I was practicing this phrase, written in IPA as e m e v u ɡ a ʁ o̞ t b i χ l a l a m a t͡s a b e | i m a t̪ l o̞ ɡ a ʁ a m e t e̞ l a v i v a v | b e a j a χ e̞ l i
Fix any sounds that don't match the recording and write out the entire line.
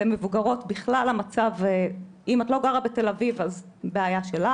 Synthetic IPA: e m e v u ɡ a ʁ o̞ t b i χ l a l a m a t͡s a v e | i m a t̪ l o̞ ɡ a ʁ a b e t e̞ l a v i v a z | b e a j a ʃ e̞ l a